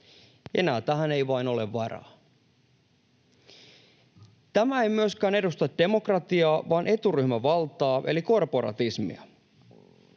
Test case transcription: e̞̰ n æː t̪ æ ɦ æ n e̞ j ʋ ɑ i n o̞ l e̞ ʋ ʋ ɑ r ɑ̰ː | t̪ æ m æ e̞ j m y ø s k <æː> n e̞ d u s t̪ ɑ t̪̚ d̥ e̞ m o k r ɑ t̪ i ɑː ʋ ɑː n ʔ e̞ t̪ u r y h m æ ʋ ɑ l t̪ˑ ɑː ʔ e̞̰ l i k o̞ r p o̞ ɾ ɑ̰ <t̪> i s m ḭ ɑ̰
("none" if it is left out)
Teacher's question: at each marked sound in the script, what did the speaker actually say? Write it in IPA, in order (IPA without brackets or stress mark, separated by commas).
æː, t̪